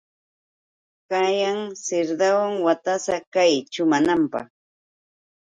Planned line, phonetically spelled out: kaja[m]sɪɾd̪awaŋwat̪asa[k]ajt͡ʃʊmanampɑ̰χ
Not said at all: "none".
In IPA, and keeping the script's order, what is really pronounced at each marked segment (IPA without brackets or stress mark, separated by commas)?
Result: ŋ, k